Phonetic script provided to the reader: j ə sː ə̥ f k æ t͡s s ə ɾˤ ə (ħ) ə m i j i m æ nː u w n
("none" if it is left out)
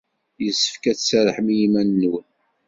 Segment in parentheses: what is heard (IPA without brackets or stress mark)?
ħ